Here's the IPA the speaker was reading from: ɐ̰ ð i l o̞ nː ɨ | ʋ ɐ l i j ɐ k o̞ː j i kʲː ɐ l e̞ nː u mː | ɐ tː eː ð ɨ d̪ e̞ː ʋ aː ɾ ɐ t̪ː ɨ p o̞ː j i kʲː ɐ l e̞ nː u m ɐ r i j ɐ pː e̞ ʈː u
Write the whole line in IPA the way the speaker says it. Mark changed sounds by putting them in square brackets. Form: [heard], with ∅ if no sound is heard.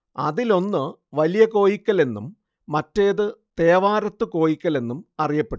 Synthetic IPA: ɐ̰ ð i l o̞ nː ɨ | ʋ ɐ l i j ɐ k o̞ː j i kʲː ɐ l e̞ nː u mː | ɐ tː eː ð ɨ [t̪] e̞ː ʋ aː ɾ ɐ t̪ː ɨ [k] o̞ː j i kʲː ɐ l e̞ nː u m ɐ r i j ɐ pː e̞ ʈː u